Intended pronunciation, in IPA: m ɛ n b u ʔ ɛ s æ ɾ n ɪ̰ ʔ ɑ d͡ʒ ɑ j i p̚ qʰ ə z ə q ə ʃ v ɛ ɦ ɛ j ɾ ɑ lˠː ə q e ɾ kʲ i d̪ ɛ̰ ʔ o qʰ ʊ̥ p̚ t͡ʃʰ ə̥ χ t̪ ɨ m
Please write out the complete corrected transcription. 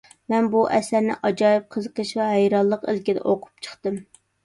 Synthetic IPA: m ɛ n b u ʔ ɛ s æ ɾ n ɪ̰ ʔ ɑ d͡ʒ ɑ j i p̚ qʰ ə z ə q ə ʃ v ɛ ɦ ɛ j ɾ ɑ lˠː ə q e l kʲ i d̪ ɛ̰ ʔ o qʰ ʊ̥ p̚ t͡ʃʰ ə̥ χ t̪ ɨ m